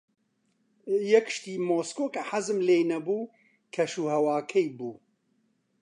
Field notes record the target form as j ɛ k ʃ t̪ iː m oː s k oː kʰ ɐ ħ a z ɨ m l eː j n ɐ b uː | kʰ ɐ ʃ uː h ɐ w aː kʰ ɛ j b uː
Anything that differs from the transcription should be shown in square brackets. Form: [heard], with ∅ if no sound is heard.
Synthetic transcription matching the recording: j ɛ k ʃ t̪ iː m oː s k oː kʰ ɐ ħ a z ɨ m l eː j n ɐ b uː | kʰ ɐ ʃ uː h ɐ w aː kʰ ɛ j b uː